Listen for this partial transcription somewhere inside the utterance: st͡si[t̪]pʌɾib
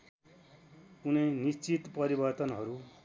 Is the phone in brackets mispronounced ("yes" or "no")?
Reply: no